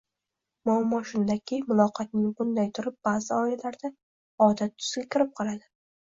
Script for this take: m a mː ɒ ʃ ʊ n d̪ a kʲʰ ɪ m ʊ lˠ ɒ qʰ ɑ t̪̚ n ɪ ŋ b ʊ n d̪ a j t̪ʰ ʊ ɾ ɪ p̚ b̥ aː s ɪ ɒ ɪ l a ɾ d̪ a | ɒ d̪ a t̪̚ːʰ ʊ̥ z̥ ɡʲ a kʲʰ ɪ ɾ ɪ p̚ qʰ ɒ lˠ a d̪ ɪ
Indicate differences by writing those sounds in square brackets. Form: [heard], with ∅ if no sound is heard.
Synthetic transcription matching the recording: m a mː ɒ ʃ ʊ n d̪ a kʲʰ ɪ m ʊ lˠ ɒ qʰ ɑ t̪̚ n ɪ ŋ b ʊ n d̪ a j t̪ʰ ʊ ɾ ɪ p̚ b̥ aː [z] ɪ ɒ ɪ l a ɾ d̪ a | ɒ d̪ a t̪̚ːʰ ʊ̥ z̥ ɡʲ a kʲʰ ɪ ɾ ɪ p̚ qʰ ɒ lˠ a d̪ ɪ